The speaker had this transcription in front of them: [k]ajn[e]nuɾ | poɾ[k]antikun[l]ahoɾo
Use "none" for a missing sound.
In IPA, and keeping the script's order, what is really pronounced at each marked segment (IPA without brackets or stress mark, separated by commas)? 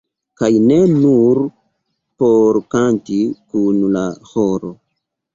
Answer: k, e, k, l